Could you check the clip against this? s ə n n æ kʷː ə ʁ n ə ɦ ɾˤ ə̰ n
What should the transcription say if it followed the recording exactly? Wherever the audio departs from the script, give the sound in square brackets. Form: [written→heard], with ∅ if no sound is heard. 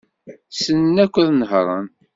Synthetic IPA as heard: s ə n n æ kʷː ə [ʁ→ð] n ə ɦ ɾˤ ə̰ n